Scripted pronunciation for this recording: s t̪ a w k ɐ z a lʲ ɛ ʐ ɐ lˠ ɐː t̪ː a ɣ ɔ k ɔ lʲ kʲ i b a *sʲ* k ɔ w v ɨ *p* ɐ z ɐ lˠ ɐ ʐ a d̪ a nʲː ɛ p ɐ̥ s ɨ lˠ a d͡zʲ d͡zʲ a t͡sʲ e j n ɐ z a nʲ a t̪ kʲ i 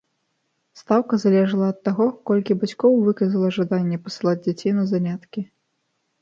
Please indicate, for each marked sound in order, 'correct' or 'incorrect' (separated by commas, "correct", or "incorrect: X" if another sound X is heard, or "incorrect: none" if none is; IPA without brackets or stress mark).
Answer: incorrect: t͡sʲ, incorrect: k